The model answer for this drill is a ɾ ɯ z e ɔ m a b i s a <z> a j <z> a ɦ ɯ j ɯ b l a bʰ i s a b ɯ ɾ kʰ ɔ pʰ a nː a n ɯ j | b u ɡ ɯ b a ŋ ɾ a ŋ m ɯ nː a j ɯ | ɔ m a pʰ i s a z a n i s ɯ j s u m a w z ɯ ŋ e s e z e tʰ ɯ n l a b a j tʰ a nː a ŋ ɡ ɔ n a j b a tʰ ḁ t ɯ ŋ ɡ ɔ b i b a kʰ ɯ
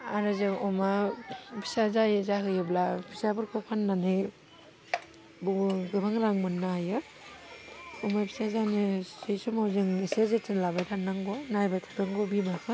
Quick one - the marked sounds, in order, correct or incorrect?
correct, correct

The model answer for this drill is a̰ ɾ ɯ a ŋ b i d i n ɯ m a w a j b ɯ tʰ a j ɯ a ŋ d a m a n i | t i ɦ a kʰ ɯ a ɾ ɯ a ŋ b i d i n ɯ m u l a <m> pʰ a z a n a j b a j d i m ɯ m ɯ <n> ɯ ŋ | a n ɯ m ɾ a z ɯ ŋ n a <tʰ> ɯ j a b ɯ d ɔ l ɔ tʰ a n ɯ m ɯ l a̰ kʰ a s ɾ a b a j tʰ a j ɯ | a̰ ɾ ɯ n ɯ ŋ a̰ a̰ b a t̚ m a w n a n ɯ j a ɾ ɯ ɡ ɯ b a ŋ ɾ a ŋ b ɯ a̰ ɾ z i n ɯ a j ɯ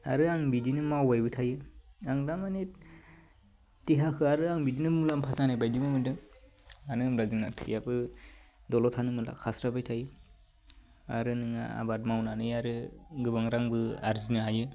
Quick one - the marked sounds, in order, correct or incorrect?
correct, incorrect: d, correct

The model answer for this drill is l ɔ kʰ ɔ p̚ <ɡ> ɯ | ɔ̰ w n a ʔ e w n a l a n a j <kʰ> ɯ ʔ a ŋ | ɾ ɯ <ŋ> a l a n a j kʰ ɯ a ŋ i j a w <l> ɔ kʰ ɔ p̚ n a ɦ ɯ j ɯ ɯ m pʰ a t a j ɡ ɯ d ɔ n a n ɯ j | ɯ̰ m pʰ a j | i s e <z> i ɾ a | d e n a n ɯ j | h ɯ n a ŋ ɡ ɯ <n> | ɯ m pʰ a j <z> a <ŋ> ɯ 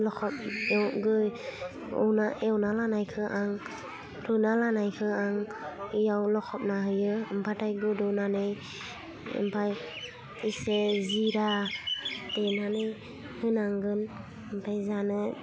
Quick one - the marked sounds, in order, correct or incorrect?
correct, correct, incorrect: n, correct, correct, correct, correct, incorrect: n

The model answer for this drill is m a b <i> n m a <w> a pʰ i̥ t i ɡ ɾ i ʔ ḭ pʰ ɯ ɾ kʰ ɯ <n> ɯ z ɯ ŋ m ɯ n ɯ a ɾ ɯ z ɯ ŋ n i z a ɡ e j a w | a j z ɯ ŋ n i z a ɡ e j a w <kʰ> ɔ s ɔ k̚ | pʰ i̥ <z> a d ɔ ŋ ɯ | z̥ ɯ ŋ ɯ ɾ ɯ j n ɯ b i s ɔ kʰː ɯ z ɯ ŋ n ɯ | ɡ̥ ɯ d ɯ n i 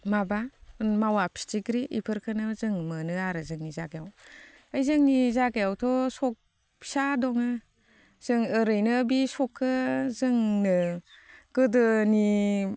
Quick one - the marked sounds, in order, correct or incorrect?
incorrect: a, correct, correct, incorrect: tʰ, incorrect: s

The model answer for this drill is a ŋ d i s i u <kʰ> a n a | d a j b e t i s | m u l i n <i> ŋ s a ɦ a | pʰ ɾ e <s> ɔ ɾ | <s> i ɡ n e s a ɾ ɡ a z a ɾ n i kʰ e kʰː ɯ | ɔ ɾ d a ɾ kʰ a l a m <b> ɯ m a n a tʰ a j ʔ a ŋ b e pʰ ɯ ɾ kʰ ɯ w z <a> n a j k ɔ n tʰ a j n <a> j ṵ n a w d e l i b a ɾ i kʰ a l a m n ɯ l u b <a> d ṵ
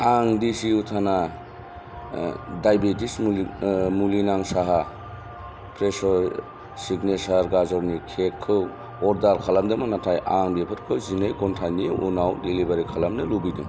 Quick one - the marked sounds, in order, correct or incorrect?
incorrect: tʰ, incorrect: a, correct, correct, incorrect: d, incorrect: i, incorrect: i, incorrect: i

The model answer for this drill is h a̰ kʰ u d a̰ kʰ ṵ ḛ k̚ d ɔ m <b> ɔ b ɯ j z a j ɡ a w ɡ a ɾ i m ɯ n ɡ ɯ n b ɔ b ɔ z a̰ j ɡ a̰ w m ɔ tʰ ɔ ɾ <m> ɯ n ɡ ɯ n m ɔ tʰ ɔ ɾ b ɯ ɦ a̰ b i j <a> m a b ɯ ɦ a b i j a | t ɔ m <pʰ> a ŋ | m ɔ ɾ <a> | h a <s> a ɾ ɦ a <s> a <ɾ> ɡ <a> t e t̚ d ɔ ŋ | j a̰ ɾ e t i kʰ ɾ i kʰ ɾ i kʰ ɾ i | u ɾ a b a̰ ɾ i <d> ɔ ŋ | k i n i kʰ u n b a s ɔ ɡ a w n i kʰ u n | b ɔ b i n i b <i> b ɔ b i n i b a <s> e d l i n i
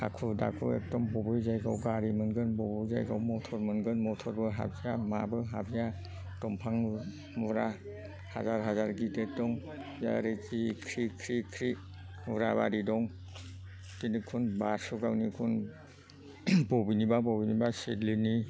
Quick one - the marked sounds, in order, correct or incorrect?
correct, correct, correct, correct, correct, incorrect: z, incorrect: z, correct, incorrect: i, correct, incorrect: a, correct

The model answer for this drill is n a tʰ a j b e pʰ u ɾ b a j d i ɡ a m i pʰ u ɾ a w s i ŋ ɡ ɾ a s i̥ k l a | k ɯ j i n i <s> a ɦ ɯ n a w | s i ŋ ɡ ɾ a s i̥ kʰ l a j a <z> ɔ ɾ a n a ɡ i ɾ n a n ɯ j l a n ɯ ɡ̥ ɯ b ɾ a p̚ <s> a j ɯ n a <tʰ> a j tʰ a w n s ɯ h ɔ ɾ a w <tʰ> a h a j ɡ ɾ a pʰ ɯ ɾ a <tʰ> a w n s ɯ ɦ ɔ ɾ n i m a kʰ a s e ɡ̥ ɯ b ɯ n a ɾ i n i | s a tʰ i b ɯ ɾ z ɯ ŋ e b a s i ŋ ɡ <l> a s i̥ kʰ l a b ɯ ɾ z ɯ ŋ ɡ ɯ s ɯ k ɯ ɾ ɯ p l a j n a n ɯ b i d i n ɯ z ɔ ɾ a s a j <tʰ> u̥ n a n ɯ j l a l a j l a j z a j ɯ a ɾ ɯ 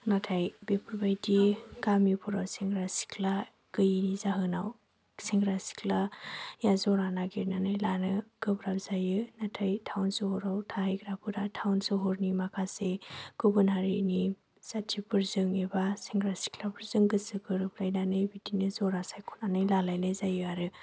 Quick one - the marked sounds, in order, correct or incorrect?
incorrect: z, correct, incorrect: z, correct, correct, correct, incorrect: ɾ, incorrect: kʰ

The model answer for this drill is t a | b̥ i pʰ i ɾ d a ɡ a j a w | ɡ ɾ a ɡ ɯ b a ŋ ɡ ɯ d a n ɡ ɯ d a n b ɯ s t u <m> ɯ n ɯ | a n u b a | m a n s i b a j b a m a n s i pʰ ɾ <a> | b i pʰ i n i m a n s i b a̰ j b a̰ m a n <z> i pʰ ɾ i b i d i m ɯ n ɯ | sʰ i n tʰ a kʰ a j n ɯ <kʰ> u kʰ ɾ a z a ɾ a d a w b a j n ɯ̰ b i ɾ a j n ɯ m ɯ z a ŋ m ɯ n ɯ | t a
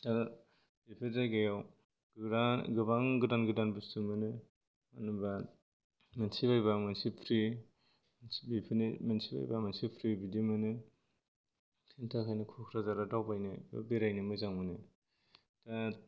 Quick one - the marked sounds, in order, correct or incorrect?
correct, incorrect: i, incorrect: s, correct

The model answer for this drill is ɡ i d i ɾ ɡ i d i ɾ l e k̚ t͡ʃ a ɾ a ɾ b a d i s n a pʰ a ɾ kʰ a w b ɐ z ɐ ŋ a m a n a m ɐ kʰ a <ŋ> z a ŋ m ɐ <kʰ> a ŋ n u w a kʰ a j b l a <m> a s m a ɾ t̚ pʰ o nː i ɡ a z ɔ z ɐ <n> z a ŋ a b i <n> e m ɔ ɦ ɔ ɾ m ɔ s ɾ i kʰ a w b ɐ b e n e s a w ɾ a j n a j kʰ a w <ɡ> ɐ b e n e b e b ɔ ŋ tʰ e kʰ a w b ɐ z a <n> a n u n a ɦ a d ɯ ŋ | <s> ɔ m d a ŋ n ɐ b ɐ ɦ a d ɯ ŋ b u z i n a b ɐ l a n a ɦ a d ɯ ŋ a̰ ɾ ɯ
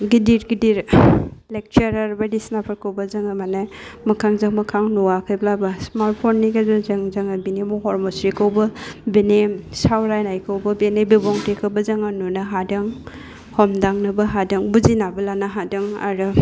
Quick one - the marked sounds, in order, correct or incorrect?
correct, correct, incorrect: b, incorrect: ŋ, correct, incorrect: b, incorrect: ŋ, incorrect: h

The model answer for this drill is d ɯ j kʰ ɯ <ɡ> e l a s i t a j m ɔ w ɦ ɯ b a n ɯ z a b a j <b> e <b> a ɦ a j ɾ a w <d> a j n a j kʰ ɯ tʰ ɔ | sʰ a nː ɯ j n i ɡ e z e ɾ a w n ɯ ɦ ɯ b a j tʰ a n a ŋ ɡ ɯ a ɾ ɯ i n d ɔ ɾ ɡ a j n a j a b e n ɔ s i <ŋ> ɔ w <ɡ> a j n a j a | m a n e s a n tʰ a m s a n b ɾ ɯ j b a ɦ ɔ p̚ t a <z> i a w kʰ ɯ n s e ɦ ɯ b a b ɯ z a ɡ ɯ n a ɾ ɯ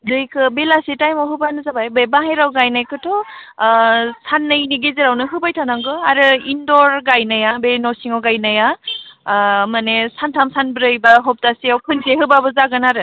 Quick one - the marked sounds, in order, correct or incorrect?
incorrect: b, correct, correct, incorrect: ɡ, correct, correct, incorrect: s

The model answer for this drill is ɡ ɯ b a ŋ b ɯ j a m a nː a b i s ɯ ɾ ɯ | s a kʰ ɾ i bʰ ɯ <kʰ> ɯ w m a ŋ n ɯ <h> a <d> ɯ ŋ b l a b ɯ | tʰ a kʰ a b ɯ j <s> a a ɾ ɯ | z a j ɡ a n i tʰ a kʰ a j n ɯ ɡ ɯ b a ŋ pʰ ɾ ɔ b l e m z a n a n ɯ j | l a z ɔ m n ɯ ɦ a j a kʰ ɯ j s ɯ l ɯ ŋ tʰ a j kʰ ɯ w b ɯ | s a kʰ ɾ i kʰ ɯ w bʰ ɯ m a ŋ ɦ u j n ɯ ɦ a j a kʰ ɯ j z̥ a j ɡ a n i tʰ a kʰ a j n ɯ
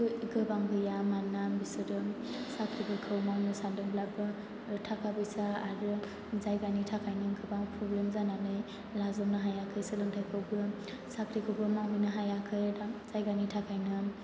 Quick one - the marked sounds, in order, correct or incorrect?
correct, incorrect: s, correct, correct

